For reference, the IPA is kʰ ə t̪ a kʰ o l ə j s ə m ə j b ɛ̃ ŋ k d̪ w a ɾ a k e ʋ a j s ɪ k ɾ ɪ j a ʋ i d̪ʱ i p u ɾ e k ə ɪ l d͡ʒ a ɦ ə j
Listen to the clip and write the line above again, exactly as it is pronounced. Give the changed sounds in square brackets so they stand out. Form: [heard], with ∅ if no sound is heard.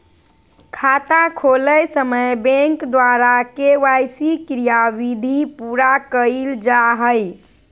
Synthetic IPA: kʰ [a] t̪ a kʰ o l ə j s ə m ə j b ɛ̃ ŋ k d̪ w a ɾ a k e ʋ a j s [i] k ɾ [i] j a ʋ i d̪ʱ i p u ɾ [a] k ə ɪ l d͡ʒ a ɦ ə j